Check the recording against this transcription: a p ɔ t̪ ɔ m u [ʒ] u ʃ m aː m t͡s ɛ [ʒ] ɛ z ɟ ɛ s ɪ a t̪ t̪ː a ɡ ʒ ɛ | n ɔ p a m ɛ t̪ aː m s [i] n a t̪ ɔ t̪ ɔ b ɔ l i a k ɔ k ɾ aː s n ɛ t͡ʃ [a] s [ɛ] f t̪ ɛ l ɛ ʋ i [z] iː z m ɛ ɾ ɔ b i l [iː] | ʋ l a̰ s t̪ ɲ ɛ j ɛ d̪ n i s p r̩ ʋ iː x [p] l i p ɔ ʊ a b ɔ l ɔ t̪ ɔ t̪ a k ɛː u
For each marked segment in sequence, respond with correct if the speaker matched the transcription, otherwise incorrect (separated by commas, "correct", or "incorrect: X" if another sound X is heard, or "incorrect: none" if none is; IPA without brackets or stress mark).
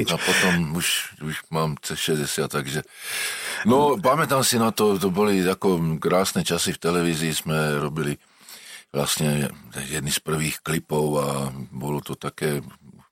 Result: incorrect: ʃ, incorrect: ʃ, correct, correct, incorrect: i, correct, incorrect: i, incorrect: k